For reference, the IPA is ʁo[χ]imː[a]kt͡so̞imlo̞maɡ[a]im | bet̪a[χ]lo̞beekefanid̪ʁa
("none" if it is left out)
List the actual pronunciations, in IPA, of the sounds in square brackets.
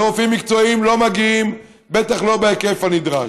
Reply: f, i, i, χ

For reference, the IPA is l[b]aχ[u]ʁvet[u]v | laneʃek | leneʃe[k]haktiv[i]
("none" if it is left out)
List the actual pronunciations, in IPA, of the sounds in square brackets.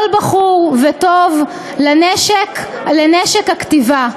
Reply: b, u, o, k, a

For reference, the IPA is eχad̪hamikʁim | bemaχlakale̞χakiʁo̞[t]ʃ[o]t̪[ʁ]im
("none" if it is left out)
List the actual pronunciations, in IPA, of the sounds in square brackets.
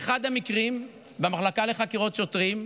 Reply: t, o, ʁ

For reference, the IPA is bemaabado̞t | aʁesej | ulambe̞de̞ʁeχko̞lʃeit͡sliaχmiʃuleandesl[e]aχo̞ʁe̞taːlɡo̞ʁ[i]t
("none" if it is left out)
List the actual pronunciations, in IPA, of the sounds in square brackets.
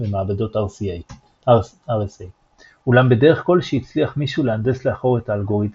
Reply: e, i

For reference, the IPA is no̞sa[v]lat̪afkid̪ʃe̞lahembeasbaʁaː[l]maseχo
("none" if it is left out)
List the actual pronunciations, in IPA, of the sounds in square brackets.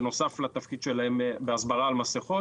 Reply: f, l

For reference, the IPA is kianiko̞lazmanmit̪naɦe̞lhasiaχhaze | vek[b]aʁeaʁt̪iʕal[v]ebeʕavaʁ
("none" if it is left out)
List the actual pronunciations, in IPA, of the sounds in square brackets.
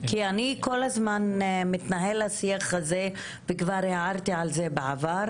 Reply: v, z

